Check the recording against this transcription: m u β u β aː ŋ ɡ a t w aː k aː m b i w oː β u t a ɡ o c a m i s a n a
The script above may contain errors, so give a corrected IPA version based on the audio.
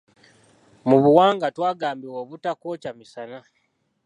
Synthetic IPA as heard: m u β u w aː ŋ ɡ a t w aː ɡ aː m b i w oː β u t a k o c a m i s a n a